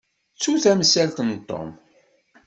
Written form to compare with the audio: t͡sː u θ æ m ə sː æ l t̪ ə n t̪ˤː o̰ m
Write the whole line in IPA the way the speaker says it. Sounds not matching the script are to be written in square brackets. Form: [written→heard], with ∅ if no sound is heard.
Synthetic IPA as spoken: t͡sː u θ æ m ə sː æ l t̪ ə n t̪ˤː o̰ m

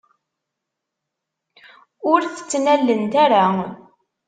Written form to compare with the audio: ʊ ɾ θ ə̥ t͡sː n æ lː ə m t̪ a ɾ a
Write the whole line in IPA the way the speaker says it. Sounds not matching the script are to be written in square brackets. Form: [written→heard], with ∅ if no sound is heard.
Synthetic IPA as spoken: ʊ ɾ θ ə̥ t͡sː n æ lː ə [m→n] t̪ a ɾ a

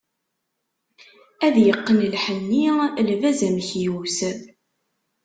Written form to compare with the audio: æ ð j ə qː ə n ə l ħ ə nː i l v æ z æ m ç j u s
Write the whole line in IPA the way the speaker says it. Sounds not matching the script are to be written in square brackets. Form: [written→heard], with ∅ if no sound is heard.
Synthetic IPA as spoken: æ ð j ə qː ə n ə l ħ ə nː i l v æ z æ m ç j u s

